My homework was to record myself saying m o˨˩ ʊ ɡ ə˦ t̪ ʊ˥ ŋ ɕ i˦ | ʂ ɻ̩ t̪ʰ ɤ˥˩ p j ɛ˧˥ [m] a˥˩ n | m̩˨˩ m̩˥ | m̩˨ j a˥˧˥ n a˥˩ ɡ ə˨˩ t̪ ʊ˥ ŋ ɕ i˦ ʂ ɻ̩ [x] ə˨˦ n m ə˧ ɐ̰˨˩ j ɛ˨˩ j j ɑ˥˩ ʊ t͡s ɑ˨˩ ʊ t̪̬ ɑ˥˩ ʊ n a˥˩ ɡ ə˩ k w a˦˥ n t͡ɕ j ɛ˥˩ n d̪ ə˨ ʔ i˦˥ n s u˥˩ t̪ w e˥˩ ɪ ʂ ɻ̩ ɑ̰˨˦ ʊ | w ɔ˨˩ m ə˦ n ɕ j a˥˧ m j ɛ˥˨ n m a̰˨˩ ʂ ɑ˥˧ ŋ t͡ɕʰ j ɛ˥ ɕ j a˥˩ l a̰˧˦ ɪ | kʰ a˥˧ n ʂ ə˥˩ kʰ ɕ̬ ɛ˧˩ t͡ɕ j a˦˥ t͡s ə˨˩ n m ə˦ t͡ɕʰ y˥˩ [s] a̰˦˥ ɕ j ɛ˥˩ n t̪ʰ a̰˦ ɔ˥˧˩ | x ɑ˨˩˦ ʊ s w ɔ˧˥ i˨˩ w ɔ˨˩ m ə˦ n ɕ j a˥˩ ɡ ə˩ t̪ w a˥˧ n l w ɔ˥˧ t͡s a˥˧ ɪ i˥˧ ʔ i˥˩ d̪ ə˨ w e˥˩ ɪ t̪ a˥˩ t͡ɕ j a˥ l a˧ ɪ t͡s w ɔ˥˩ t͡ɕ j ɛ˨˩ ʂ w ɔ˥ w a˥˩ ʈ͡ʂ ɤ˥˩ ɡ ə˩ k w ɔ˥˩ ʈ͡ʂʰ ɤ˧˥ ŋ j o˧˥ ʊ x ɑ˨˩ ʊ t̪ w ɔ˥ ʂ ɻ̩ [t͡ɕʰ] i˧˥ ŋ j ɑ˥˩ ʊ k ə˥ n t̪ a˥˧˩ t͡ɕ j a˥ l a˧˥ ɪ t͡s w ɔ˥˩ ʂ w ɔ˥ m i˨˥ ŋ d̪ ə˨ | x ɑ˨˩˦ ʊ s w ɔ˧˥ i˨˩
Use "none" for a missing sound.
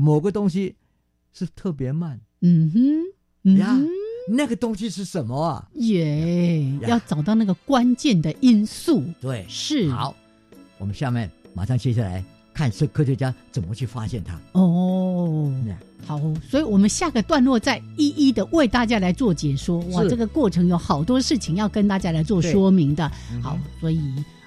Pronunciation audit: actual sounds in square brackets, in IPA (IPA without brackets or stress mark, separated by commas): m, ʂ, f, t͡ɕʰ